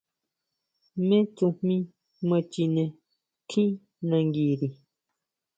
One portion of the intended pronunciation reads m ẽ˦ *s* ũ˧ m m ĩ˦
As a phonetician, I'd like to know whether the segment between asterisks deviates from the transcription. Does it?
yes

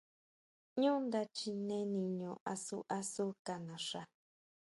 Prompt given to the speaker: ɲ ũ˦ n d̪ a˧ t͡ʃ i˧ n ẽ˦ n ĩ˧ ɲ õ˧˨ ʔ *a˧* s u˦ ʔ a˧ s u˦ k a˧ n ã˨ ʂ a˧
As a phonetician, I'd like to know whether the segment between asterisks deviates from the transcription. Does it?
no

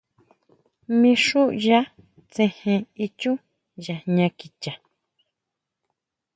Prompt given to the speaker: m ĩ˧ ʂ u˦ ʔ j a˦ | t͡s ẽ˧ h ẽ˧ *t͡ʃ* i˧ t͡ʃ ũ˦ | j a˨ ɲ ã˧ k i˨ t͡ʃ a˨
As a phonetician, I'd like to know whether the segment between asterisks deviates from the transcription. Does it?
yes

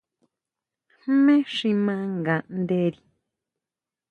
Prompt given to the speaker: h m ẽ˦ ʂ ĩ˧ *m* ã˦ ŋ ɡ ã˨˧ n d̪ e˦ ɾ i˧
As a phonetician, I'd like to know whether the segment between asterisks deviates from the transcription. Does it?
no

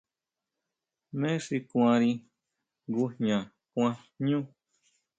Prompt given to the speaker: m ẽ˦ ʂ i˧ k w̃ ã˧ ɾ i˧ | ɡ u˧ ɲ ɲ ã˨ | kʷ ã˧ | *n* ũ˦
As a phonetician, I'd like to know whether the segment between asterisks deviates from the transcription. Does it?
yes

